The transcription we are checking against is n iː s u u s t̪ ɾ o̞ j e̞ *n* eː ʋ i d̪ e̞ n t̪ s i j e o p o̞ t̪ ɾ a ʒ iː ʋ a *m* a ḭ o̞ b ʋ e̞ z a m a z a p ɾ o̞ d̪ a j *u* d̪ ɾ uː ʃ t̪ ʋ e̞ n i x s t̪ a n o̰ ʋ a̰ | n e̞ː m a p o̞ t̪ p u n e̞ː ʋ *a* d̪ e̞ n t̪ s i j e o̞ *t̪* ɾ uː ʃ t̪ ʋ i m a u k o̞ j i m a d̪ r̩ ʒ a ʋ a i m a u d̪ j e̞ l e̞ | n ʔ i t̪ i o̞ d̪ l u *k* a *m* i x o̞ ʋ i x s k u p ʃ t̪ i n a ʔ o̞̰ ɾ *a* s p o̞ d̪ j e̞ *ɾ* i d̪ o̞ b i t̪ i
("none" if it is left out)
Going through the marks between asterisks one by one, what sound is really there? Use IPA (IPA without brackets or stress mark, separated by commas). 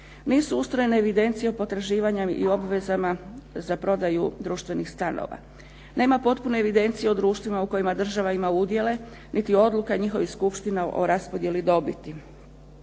n, ɲ, u, i, d̪, k, ɲ, a, l